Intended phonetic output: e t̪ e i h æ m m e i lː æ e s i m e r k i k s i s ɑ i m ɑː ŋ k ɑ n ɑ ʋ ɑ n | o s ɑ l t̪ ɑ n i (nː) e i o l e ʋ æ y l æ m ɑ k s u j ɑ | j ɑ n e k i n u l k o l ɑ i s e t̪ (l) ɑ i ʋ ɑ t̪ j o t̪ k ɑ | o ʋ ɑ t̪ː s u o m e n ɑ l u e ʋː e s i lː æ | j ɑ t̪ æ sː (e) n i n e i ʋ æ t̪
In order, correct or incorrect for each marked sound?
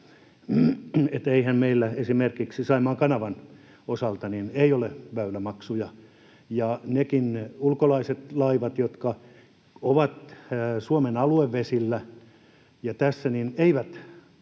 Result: incorrect: n, correct, incorrect: æ

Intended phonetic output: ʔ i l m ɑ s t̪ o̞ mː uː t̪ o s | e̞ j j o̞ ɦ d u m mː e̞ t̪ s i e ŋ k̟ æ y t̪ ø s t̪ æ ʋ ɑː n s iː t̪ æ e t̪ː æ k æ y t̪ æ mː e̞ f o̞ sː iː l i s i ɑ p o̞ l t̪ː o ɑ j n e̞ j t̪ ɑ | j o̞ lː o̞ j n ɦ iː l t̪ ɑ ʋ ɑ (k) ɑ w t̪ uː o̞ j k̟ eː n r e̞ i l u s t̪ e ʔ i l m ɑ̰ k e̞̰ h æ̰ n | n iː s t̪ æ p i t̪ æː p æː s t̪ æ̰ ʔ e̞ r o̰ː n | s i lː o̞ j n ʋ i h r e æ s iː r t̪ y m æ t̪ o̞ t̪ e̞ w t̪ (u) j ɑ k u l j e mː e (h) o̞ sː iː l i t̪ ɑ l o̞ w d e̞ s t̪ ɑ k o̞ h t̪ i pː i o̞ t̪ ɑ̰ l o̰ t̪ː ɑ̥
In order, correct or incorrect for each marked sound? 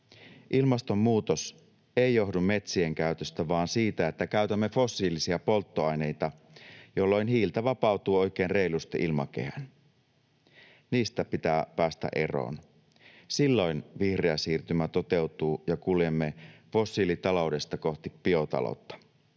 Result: incorrect: p, incorrect: uː, incorrect: f

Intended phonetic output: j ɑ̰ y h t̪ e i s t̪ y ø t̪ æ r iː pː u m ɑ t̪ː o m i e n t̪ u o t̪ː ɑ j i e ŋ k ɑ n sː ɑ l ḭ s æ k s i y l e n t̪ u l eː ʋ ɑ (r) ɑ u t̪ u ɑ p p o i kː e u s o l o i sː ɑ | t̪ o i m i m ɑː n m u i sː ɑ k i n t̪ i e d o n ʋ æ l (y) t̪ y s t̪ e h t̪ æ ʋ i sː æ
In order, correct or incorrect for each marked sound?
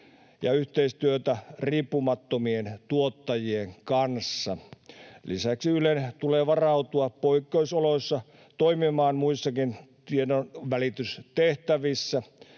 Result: correct, incorrect: i

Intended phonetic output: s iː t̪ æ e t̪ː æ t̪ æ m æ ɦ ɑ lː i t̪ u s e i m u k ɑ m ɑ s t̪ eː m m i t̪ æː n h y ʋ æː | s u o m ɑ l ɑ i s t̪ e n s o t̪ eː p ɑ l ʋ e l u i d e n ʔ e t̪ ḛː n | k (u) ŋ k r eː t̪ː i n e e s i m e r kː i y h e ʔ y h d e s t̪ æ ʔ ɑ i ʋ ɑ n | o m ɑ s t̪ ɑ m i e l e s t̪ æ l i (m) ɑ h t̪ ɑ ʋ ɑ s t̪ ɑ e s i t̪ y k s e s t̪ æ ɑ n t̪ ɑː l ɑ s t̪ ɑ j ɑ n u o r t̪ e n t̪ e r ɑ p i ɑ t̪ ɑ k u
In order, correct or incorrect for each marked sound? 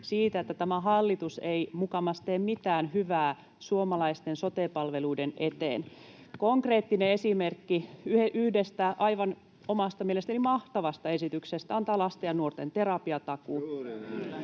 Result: incorrect: o, correct

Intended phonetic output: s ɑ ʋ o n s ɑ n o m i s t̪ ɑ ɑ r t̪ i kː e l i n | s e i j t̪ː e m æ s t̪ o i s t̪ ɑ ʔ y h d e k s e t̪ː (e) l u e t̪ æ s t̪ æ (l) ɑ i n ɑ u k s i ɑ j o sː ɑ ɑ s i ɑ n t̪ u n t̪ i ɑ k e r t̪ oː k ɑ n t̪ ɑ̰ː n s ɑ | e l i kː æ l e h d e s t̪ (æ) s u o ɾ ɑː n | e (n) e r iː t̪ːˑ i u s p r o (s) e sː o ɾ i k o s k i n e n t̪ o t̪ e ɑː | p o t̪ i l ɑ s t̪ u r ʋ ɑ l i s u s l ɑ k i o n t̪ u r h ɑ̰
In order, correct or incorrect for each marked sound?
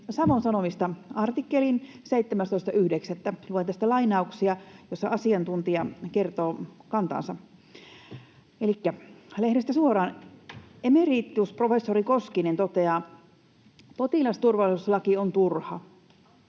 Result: incorrect: æ, correct, correct, incorrect: m, incorrect: f

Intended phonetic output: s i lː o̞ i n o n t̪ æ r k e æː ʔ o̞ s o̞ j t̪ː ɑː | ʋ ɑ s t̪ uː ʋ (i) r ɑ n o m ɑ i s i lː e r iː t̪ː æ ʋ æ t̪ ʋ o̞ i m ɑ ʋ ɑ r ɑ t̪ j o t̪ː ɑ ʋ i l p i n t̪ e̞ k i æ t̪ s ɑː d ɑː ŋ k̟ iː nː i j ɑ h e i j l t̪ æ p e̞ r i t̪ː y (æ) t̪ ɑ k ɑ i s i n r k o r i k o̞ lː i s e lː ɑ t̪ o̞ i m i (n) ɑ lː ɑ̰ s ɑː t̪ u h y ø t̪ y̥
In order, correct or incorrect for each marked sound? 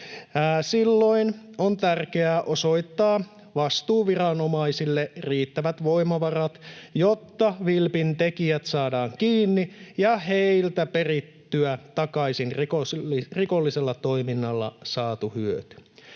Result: correct, correct, incorrect: nː

